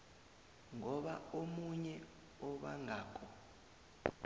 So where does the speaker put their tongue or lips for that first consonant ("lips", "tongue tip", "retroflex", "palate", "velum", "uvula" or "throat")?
velum